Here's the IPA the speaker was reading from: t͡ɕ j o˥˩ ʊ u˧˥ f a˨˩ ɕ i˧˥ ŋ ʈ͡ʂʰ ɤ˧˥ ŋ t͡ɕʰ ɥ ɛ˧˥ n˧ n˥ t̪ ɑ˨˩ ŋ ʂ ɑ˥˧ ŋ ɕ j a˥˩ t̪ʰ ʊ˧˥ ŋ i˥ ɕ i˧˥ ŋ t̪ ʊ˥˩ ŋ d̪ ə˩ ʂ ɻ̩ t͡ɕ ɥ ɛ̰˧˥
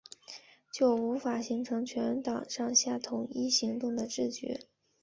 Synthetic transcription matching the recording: t͡ɕ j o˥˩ ʊ u˧˥ f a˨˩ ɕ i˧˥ ŋ ʈ͡ʂʰ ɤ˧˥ ŋ t͡ɕʰ ɥ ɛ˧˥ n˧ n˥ t̪ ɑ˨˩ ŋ ʂ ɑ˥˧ ŋ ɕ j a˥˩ t̪ʰ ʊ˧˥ ŋ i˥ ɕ i˧˥ ŋ t̪ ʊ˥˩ ŋ d̪ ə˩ ʈ͡ʂ ɻ̩ t͡ɕ ɥ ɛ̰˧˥